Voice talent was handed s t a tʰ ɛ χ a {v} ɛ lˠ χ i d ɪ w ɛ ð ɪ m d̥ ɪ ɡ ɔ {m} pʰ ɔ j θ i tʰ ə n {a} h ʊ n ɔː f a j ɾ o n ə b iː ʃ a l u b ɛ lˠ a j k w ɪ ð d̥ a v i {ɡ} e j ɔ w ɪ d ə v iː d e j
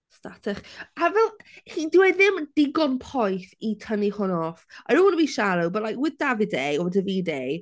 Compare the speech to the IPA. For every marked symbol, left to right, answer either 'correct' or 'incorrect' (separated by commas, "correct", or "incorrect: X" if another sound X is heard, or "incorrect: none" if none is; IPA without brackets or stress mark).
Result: correct, incorrect: n, incorrect: i, incorrect: d